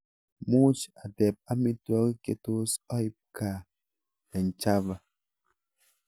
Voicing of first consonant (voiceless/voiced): voiced